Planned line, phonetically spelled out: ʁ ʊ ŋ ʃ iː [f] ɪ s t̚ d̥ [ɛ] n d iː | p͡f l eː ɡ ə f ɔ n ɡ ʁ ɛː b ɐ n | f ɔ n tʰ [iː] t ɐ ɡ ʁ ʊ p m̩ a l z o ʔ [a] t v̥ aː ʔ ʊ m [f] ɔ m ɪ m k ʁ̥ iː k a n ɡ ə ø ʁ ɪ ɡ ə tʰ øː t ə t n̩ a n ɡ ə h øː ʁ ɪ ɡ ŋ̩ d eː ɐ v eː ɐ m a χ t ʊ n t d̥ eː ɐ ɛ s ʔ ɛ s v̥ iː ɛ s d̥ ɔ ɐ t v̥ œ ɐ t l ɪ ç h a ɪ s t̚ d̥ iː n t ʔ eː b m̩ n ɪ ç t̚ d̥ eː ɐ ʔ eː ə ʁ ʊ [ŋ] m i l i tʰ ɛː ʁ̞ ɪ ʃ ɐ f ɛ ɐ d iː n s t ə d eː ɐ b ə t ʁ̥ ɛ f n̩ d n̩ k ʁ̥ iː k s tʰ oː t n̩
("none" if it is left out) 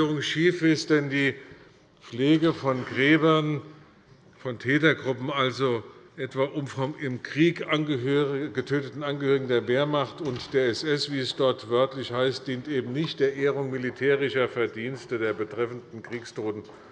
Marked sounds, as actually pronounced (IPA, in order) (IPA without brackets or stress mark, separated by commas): f, ɛ, ɛː, ɛ, f, ŋ